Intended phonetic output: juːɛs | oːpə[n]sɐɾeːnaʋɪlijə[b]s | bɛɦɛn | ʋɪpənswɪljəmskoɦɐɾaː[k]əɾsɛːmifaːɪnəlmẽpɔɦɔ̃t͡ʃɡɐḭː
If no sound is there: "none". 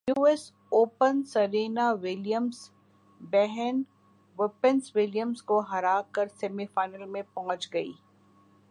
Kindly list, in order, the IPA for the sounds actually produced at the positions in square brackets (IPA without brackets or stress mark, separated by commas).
n, m, k